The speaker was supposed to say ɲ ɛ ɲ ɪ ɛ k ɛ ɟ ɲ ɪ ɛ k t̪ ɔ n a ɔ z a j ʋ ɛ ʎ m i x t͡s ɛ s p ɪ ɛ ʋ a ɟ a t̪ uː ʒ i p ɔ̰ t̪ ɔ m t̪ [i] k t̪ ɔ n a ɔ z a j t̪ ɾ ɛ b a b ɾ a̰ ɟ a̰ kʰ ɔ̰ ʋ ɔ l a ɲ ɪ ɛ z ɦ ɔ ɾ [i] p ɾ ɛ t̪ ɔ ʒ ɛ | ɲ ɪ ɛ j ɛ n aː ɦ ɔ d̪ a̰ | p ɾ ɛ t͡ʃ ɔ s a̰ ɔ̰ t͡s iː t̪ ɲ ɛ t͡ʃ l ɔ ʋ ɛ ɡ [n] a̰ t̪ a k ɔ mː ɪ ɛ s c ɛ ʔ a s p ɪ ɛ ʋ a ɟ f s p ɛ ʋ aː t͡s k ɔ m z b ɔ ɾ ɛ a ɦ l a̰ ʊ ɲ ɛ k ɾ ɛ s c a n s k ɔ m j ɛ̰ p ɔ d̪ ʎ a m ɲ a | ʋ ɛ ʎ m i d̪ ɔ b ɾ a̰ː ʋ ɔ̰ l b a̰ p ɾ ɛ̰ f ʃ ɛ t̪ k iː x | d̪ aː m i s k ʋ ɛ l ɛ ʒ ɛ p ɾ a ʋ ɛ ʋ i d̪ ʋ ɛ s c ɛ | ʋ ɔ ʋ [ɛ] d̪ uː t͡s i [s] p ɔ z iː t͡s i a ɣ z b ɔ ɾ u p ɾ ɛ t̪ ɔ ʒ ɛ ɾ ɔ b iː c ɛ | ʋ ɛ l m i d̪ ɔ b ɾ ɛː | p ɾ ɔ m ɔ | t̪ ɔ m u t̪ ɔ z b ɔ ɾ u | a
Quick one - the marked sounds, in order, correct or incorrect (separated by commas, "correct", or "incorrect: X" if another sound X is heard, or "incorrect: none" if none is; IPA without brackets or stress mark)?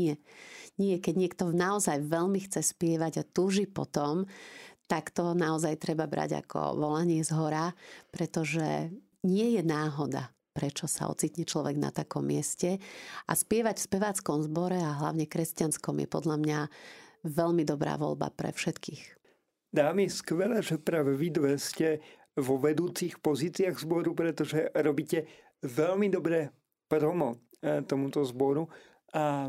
incorrect: a, incorrect: a, correct, correct, incorrect: x